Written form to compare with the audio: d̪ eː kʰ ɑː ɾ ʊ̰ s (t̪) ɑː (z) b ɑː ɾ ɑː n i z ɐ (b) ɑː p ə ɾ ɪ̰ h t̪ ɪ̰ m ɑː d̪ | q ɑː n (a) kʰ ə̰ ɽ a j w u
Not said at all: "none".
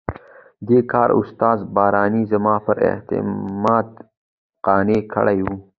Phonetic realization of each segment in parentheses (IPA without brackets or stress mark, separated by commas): t̪, z, m, e